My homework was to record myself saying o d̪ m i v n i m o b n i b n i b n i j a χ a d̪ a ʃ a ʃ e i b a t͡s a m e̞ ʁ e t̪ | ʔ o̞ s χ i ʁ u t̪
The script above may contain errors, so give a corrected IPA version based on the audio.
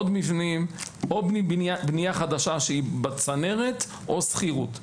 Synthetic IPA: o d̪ m i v n i m o b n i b n i b n i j a χ a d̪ a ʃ a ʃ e i b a t͡s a n e̞ ʁ e t̪ | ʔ o̞ s χ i ʁ u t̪

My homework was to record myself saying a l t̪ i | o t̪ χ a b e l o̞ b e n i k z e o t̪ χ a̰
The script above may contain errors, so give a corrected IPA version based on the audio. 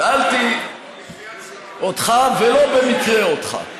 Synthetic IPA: a l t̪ i | o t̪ χ a v e l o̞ b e m i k ʁ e o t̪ χ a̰

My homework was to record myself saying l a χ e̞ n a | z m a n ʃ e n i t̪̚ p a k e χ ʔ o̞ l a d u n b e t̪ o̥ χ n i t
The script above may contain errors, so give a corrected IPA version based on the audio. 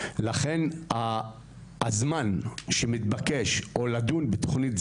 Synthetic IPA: l a χ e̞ n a | z m a n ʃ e m i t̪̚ b a k e ʃ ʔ o̞ l a d u n b e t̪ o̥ χ n i t

